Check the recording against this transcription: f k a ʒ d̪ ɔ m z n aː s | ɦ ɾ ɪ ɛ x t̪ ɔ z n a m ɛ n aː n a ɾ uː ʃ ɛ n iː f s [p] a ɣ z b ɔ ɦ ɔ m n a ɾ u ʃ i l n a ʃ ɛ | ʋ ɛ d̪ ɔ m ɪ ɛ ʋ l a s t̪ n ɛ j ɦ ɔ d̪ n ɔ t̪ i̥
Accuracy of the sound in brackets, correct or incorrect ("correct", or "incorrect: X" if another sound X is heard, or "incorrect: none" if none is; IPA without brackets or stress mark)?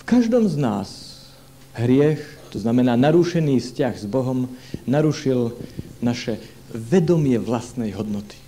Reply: incorrect: c